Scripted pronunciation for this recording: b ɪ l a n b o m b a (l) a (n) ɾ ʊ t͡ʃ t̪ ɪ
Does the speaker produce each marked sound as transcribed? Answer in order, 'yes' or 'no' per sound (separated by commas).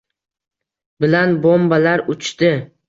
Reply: yes, no